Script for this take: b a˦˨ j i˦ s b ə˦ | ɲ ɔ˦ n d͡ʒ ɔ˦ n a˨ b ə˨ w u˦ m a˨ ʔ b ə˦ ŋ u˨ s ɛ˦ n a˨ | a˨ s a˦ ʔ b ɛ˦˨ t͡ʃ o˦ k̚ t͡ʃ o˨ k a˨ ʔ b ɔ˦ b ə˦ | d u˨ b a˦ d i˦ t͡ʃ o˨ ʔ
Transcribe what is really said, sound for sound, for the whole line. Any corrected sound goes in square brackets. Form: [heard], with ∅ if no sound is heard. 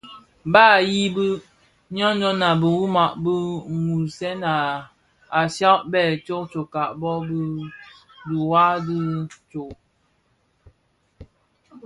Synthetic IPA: b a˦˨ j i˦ [∅] b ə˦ | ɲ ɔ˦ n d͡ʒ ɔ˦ n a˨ b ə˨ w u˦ m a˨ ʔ b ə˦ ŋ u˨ s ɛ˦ n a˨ | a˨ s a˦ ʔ b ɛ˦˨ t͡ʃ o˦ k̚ t͡ʃ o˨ k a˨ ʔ b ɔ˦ b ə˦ | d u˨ [w] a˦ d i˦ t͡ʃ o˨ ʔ